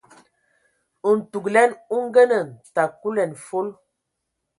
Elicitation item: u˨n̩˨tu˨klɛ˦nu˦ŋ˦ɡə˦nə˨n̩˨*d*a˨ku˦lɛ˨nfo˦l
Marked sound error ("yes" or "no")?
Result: yes